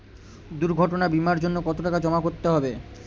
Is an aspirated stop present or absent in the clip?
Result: absent